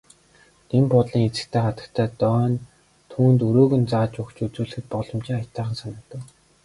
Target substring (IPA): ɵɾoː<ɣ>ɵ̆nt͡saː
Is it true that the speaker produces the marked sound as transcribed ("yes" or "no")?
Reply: yes